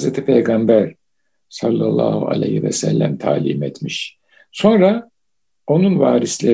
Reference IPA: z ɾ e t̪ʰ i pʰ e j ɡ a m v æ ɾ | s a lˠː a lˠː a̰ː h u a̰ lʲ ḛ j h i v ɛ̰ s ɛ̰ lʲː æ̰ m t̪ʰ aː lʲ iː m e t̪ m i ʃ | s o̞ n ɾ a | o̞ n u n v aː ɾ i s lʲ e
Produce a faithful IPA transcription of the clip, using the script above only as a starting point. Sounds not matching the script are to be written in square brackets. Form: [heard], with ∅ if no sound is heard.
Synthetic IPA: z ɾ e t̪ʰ i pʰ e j ɡ a m [b] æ ɾ | s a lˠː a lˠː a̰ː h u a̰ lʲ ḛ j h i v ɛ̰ s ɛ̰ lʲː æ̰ m t̪ʰ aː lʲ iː m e t̪ m i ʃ | s o̞ n ɾ a | o̞ n u n v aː ɾ i s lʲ e